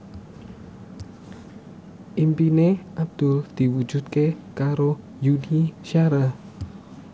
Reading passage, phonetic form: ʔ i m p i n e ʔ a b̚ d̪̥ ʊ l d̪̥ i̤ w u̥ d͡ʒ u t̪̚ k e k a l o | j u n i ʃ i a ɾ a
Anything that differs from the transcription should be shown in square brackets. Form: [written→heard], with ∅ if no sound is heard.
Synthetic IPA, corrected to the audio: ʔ i m p i n e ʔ a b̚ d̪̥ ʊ l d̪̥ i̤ w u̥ d͡ʒ u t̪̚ k e k a [l→ɾ] o | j u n i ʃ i a ɾ a

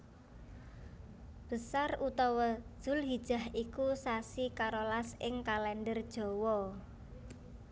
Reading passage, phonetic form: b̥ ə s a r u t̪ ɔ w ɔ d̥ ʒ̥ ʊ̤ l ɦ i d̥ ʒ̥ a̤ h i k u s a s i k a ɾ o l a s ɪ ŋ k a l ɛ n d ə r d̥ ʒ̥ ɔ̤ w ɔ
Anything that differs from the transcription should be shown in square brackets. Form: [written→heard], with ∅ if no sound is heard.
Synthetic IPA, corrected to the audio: b̥ ə s a r u t̪ ɔ w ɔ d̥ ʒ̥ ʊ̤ l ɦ i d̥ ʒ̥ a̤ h i k u s a s i k a ɾ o l a s ɪ ŋ k a l ɛ n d ə r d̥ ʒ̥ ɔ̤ w ɔ

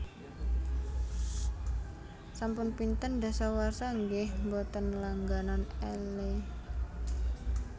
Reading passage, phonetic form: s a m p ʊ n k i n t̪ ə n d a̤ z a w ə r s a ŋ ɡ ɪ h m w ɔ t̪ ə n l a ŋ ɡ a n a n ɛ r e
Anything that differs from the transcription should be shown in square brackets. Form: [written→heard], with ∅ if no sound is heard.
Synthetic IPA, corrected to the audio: s a m p ʊ n [k→p] i n t̪ ə n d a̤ [z→s] a w [ə→a] r s a ŋ ɡ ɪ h m [w→b] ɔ t̪ ə n l a ŋ ɡ a n a n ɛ [r→l] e

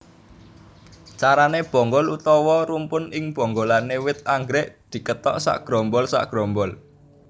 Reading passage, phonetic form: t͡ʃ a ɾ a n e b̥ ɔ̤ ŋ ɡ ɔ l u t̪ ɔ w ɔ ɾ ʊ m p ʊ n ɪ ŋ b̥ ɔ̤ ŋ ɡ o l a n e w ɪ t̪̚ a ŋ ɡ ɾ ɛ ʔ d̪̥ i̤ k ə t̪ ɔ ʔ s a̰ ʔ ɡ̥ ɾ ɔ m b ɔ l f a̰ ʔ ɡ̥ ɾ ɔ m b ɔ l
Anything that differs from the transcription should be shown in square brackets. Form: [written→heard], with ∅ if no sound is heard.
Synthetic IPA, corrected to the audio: t͡ʃ a ɾ a n e b̥ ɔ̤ ŋ ɡ ɔ l u t̪ ɔ w ɔ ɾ [ʊ→u] m p ʊ n ɪ ŋ b̥ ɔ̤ ŋ ɡ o l a n e w ɪ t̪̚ a ŋ ɡ ɾ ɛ ʔ d̪̥ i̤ k ə t̪ ɔ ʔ s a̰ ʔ ɡ̥ ɾ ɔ m b ɔ l [f→s] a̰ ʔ ɡ̥ ɾ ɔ m b ɔ l

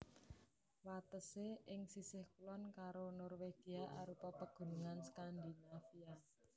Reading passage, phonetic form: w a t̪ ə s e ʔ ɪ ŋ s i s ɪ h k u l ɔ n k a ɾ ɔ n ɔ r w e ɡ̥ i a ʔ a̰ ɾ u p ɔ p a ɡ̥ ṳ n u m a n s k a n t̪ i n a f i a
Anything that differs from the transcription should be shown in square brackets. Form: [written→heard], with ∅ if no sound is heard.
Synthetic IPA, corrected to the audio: w a t̪ ə s e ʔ ɪ ŋ s i s ɪ h k u l ɔ n k a ɾ [ɔ→o] n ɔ r w e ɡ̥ i a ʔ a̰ ɾ u p ɔ p [a→ə] ɡ̥ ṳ n u [m→ŋ] a n s k a n [t̪→d̪] i n a f i a

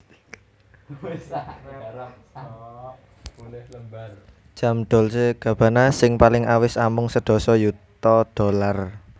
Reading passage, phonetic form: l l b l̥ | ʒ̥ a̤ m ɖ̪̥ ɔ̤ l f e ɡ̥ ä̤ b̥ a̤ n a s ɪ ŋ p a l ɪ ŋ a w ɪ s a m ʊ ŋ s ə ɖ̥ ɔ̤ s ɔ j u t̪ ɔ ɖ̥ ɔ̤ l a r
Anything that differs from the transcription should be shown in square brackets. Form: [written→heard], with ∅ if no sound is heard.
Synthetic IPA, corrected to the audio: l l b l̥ | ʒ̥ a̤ m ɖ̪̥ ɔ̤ l [f→s] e ɡ̥ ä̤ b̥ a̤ n a s ɪ ŋ p a l ɪ ŋ a w ɪ s a m ʊ ŋ s ə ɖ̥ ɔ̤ s ɔ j u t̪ ɔ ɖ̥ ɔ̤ l a r

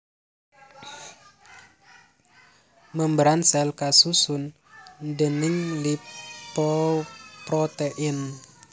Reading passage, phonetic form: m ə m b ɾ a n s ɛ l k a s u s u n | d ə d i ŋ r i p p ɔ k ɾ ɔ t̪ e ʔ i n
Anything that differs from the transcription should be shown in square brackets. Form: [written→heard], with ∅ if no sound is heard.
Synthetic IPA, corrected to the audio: m ə m b ɾ a n s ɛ l k a s u s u n | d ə [d→n] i ŋ [r→l] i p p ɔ [k→p] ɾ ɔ t̪ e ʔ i n

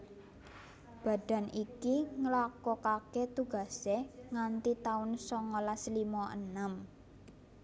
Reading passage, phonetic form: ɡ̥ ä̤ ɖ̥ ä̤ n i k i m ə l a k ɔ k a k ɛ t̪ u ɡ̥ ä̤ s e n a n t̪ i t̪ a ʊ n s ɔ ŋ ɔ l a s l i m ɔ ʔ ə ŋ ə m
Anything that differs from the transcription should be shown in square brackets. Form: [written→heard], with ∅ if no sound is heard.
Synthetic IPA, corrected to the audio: [ɡ̥→b̥] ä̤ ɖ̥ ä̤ n i k i [m→ŋ] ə l a k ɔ k a k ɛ t̪ u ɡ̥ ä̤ s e [n→ŋ] a n t̪ i t̪ a ʊ n s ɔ ŋ ɔ l a s l i m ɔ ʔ ə [ŋ→n] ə m

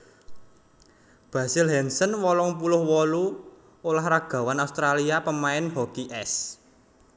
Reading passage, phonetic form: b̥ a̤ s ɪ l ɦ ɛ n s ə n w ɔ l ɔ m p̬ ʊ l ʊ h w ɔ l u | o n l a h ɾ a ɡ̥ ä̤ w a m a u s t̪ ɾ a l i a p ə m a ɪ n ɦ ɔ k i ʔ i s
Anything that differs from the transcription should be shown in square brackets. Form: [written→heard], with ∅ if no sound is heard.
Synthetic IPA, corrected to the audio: b̥ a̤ s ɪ l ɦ ɛ n s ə n w ɔ l ɔ [m→ŋ] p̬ [ʊ→u] l ʊ h w ɔ l u | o [n→∅] l a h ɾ a ɡ̥ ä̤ w a [m→n] a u s t̪ ɾ a l i a p ə m a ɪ n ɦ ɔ k i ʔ [i→ɛ] s

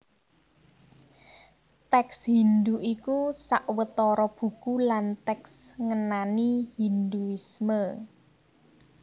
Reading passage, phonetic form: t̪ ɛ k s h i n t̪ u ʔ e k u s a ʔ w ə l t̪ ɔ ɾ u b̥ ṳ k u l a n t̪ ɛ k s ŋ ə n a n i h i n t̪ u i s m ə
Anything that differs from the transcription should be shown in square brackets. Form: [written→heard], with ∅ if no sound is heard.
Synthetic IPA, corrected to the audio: t̪ ɛ k s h i n [t̪→d̪] u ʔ [e→i] k u s a ʔ w ə [l→∅] t̪ ɔ ɾ [u→ɔ] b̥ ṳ k u l a n t̪ ɛ k s ŋ ə n a n i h i n [t̪→d̪] u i s m ə

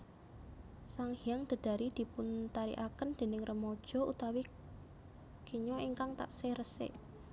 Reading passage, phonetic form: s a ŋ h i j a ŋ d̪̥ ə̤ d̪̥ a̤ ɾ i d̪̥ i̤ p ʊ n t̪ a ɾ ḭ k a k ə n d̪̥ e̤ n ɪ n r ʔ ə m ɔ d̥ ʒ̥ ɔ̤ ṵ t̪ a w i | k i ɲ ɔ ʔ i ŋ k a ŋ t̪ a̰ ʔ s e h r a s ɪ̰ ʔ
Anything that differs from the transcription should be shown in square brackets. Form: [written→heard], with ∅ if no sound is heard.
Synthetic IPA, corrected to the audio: s a ŋ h i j a ŋ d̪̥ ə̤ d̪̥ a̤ ɾ i d̪̥ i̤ p ʊ n t̪ a ɾ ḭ [k→ʔ] a k ə n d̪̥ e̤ n ɪ [n→ŋ] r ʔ ə m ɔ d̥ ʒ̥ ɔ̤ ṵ t̪ a w i | k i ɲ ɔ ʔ i ŋ k a ŋ t̪ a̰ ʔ s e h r [a→ə] s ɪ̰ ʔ

